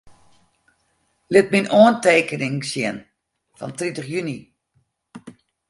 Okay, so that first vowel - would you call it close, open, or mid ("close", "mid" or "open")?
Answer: close